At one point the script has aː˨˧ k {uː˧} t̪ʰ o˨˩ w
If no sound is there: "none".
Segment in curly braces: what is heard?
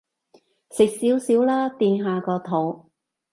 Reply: ɔː˧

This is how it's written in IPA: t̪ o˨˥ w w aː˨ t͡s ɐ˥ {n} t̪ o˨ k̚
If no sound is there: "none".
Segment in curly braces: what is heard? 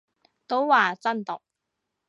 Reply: n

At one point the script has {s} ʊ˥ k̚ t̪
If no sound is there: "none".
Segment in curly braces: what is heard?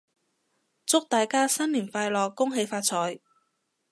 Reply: t͡s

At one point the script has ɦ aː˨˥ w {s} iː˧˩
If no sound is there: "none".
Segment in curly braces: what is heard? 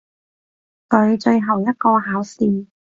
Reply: s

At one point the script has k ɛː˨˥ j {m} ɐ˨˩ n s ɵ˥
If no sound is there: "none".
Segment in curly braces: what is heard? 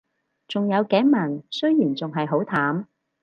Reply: m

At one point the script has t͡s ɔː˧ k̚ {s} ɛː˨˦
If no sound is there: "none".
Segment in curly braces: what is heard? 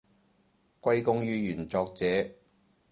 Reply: t͡s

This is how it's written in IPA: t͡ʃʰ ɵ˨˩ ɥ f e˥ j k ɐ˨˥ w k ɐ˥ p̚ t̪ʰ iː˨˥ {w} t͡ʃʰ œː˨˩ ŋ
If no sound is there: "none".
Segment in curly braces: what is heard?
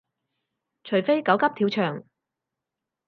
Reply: w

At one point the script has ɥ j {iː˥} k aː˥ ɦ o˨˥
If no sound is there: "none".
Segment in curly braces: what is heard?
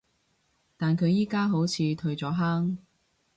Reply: iː˥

